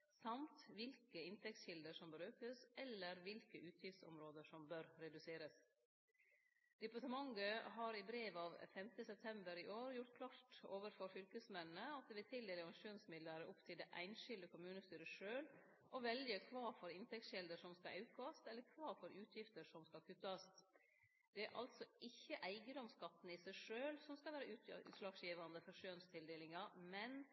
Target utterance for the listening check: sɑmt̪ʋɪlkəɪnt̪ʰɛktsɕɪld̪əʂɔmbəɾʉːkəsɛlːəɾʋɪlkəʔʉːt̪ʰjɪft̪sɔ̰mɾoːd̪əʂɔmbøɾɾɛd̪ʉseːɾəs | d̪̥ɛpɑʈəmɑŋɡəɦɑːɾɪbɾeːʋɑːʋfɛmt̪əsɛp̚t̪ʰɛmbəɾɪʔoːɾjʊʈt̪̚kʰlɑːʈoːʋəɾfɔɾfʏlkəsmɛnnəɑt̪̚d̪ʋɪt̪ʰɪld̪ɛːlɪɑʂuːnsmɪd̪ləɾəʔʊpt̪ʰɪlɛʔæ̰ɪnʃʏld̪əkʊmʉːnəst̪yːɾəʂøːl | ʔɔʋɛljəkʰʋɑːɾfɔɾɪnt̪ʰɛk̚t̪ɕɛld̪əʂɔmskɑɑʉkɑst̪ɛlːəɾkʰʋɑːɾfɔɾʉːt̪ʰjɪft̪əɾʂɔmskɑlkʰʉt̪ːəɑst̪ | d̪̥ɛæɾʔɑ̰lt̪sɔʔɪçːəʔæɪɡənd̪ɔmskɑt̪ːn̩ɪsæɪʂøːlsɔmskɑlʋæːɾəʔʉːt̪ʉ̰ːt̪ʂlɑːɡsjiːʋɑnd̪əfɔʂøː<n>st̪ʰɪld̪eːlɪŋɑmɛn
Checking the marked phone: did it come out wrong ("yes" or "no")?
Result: no